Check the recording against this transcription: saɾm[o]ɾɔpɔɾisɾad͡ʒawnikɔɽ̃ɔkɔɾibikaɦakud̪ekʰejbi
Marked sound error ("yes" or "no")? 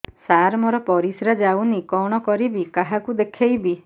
yes